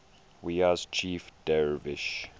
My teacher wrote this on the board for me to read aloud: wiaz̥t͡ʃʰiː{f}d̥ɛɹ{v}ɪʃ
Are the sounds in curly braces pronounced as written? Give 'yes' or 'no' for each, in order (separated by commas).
yes, yes